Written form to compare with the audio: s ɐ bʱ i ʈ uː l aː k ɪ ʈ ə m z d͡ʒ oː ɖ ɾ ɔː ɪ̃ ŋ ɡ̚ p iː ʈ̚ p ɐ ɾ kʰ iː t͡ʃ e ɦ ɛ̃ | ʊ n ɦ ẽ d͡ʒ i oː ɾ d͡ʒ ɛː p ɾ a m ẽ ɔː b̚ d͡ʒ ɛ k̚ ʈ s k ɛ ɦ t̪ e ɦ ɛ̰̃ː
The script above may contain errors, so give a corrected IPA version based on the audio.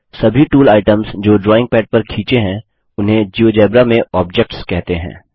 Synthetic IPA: s ɐ bʱ i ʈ uː l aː ɪ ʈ ə m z d͡ʒ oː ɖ ɾ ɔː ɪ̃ ŋ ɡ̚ p ɛː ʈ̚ p ɐ ɾ kʰ iː t͡ʃ e ɦ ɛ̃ | ʊ n ɦ ẽ d͡ʒ i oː d͡ʒ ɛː b ɾ a m ẽ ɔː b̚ d͡ʒ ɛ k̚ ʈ s k ɛ ɦ t̪ e ɦ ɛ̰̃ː